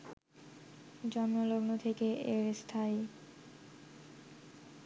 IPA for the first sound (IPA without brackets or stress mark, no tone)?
d͡ʑ